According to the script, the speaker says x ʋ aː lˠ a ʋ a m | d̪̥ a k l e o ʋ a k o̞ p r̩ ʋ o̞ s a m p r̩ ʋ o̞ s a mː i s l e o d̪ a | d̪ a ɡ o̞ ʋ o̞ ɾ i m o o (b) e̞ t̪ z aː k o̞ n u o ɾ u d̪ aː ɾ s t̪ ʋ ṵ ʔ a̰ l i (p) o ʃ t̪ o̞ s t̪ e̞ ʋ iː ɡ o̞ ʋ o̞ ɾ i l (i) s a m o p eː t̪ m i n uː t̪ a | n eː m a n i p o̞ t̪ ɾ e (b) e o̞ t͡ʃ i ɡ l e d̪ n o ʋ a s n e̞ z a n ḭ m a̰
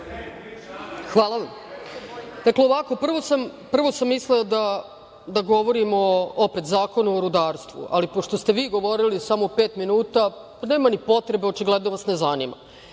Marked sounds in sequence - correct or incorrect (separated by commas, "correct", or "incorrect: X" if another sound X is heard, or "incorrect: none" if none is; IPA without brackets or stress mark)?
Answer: incorrect: p, correct, correct, correct